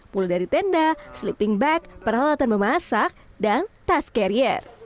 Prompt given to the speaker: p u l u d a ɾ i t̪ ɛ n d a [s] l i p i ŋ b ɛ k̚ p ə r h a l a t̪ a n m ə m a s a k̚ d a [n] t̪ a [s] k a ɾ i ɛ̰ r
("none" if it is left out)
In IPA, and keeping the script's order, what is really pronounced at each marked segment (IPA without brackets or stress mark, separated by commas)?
s, n, s